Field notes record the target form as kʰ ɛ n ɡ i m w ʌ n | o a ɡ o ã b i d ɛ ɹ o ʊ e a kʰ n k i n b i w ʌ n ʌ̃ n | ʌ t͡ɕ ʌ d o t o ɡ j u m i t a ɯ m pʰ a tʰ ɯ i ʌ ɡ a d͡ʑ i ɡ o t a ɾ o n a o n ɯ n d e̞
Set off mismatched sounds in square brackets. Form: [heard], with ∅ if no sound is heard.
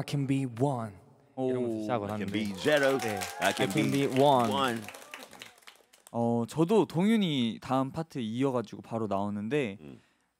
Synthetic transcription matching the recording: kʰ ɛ n [b] i [∅] w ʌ n | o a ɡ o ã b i [d͡ʒ] ɛ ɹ o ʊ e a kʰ n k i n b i w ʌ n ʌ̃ n | ʌ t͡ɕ ʌ d o t o [ŋ] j u [ɲ] i t a ɯ m pʰ a tʰ ɯ i ʌ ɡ a d͡ʑ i ɡ o [p] a ɾ o n a o n ɯ n d e̞